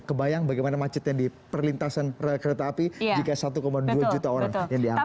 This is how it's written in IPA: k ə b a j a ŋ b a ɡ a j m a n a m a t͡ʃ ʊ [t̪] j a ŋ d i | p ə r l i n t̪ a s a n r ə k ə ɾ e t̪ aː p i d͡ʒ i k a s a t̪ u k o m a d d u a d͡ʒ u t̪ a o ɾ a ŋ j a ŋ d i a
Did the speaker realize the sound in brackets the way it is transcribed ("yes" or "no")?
yes